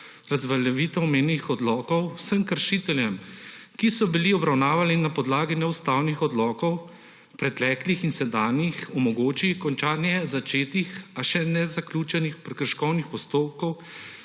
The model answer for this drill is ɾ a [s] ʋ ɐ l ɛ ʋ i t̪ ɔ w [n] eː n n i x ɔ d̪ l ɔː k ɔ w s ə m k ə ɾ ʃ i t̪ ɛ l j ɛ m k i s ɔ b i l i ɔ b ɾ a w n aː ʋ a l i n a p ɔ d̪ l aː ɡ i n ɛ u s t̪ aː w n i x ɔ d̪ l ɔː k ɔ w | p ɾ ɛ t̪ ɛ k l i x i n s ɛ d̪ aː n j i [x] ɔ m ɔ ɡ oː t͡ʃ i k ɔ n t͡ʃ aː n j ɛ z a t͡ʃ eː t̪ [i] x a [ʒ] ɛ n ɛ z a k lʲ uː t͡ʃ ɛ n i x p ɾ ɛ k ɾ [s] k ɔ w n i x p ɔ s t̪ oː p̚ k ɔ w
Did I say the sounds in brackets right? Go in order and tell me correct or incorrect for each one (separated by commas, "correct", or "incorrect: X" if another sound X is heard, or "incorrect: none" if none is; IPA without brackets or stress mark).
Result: incorrect: z, incorrect: m, correct, correct, incorrect: ʃ, incorrect: ʃ